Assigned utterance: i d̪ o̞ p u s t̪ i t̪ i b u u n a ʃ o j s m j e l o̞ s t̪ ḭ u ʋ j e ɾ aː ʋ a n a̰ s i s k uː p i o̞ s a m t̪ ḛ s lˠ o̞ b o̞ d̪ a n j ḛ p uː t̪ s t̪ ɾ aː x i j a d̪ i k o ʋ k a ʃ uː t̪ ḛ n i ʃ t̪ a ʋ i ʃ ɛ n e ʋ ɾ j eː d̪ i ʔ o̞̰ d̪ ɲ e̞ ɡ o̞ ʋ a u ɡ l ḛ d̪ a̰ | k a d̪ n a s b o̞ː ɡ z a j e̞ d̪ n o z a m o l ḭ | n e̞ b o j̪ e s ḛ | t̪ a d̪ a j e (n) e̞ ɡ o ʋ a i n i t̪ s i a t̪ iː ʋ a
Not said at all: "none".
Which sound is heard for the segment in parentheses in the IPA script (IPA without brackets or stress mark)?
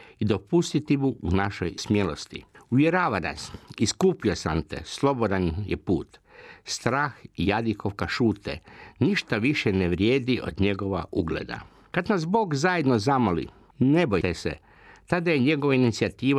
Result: ɲ